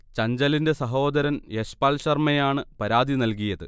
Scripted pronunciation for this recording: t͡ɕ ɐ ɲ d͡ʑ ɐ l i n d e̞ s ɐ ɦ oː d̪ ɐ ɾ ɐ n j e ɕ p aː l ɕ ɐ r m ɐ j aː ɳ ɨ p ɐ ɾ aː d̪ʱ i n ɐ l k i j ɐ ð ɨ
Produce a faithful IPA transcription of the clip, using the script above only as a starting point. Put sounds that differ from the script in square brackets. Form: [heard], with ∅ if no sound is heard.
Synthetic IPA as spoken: t͡ɕ ɐ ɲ d͡ʑ ɐ l i n d e̞ s ɐ ɦ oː d̪ ɐ ɾ ɐ n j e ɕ p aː l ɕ ɐ r m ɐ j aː ɳ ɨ p ɐ ɾ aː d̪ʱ i n ɐ l k i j ɐ ð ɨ

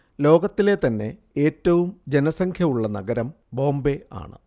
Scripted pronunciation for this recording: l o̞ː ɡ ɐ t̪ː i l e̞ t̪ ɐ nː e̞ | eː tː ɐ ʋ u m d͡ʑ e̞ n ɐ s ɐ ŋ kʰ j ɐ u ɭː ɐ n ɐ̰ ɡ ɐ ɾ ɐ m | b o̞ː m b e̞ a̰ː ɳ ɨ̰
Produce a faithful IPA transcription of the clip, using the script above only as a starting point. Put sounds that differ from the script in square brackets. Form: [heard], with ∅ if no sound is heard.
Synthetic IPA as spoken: l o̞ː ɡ ɐ t̪ː i l e̞ t̪ ɐ nː e̞ | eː tː ɐ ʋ u m d͡ʑ e̞ n ɐ s ɐ ŋ kʰ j ɐ u ɭː ɐ n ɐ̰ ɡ ɐ ɾ ɐ m | b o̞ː m b e̞ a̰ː ɳ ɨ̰

